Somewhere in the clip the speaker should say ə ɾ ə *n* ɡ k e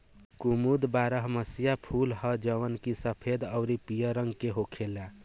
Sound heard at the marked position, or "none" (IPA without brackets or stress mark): ŋ